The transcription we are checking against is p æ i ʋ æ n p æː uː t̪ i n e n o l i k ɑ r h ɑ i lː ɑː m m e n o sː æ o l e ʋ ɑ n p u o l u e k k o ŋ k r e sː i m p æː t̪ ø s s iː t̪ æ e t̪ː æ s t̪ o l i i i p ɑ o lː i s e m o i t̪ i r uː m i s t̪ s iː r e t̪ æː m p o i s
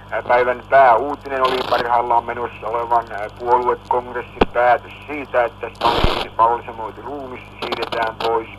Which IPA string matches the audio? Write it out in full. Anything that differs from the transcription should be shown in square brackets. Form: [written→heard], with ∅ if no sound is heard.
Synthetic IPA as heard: p æ i ʋ æ n p æː uː t̪ i n e n o l i [k→p] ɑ r h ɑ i lː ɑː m m e n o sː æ o l e ʋ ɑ n p u o l u e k k o ŋ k r e sː i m p æː t̪ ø s s iː t̪ æ e t̪ː æ s t̪ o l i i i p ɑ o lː i s e m o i t̪ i r uː m i s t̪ s iː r e t̪ æː m p o i s